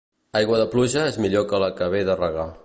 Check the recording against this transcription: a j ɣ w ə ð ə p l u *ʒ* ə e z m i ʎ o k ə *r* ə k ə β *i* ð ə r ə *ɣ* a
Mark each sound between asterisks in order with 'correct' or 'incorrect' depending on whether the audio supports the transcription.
correct, incorrect: l, incorrect: e, correct

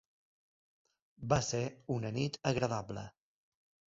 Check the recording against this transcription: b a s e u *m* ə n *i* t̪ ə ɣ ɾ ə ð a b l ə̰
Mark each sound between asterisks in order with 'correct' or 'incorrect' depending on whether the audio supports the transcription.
incorrect: n, correct

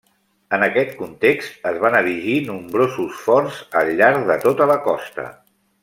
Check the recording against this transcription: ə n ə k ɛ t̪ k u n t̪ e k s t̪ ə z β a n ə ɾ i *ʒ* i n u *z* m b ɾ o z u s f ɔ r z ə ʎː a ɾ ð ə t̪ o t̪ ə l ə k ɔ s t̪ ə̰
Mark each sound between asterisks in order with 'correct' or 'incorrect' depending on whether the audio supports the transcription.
correct, incorrect: none

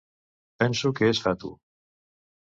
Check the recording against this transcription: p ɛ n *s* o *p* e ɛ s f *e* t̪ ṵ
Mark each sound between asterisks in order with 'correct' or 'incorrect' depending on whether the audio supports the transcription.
correct, incorrect: k, incorrect: a

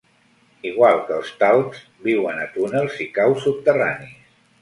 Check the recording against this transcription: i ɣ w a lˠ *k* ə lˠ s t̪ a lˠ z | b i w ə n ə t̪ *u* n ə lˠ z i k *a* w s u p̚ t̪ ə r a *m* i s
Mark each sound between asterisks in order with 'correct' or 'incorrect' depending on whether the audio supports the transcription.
correct, correct, correct, incorrect: n

